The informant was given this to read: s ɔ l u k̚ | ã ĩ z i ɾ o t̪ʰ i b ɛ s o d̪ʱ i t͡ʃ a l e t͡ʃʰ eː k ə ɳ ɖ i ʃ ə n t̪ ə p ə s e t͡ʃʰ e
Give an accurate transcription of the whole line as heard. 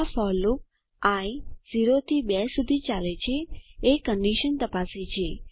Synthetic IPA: f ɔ l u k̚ | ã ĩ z i ɾ o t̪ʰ i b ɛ s u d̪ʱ i t͡ʃ a l e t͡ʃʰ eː k ə ɳ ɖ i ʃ ə n t̪ ə p a s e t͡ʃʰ e